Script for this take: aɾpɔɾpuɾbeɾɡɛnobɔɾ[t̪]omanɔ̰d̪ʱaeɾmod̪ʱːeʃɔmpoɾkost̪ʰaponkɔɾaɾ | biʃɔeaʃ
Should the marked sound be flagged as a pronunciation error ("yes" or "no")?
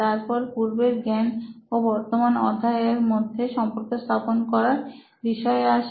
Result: no